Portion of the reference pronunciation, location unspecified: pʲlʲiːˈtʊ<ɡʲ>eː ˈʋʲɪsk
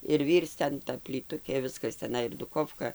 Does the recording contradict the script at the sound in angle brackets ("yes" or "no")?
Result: yes